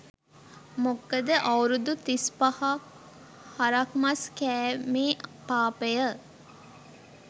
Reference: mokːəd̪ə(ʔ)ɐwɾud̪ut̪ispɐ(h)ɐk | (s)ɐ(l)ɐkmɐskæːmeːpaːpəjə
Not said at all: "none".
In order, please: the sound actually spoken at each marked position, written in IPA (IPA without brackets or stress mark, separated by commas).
ʔ, h, h, ɾ